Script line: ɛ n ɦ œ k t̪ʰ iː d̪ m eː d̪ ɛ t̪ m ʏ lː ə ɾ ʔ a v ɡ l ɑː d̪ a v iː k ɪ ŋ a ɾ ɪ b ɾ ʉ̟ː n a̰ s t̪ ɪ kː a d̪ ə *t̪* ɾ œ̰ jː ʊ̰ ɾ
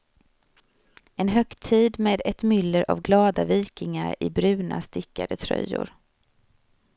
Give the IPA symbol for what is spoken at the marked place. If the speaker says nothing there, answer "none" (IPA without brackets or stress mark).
t̪ʰ